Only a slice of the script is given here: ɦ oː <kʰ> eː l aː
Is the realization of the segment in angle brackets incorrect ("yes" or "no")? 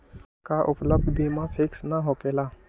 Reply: yes